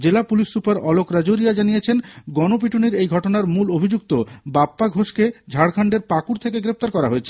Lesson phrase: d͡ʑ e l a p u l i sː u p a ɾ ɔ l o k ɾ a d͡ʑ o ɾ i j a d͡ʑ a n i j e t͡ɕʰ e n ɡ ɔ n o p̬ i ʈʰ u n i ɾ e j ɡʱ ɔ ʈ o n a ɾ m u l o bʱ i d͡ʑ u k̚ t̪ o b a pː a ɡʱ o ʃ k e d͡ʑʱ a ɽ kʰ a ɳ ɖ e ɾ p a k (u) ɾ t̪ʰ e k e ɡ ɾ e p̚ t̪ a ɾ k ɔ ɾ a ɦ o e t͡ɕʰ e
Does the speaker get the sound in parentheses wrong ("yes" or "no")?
no